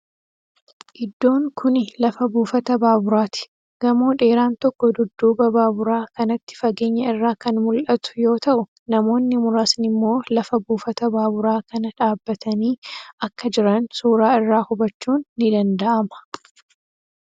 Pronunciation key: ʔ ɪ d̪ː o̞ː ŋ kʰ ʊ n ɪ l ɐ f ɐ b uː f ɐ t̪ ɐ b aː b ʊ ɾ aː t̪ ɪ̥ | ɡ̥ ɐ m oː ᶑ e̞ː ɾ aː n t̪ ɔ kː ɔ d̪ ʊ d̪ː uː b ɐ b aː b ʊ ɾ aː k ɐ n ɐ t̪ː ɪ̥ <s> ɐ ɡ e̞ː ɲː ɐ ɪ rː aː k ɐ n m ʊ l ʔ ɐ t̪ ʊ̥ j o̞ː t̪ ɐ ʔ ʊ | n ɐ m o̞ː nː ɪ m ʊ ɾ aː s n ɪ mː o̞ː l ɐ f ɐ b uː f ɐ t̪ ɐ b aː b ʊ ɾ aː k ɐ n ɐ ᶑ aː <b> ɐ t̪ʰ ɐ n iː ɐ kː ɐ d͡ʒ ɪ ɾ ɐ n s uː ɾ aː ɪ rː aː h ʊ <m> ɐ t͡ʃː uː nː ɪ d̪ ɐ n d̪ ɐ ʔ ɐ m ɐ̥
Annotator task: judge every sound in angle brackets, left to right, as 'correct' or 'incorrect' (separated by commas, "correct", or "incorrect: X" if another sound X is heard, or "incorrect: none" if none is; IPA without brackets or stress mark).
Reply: incorrect: f, incorrect: bː, incorrect: b